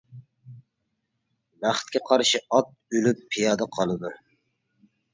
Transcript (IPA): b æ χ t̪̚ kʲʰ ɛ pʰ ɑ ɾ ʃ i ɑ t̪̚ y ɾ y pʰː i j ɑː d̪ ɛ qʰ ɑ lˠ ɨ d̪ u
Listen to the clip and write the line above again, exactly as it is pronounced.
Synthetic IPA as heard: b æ χ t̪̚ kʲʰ ɛ qʰ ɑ ɾ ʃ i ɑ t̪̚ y l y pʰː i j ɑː d̪ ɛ qʰ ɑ lˠ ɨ d̪ u